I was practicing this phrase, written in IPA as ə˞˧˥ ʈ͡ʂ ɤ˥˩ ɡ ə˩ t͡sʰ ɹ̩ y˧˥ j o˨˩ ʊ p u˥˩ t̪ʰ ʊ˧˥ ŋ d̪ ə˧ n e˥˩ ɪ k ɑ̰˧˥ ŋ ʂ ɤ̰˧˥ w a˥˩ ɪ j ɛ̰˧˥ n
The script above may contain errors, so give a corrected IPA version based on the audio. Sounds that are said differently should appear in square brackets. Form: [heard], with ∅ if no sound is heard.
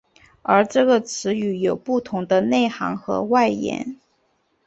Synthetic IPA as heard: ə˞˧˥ ʈ͡ʂ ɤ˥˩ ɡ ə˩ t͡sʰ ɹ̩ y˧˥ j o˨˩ ʊ p u˥˩ t̪ʰ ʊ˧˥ ŋ d̪ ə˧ n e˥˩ ɪ [x] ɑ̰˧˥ ŋ [x] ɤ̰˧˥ w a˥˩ ɪ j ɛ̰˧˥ n